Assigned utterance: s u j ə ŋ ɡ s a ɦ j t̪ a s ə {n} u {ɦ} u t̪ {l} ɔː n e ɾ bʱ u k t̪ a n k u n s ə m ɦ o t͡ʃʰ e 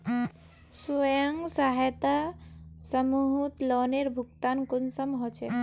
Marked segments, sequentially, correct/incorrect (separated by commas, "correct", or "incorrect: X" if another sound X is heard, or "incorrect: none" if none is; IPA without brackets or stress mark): incorrect: m, correct, correct